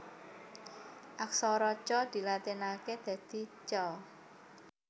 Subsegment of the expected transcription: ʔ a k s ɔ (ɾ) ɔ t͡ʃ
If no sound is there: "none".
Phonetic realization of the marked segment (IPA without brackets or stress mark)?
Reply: ɾ